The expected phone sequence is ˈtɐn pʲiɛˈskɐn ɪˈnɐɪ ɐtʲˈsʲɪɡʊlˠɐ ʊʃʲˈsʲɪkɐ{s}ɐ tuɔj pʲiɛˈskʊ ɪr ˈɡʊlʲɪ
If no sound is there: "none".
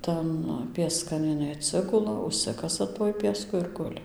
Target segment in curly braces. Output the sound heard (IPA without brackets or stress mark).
s